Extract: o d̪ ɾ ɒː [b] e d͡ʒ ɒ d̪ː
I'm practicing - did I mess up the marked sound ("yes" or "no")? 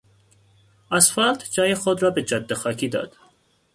no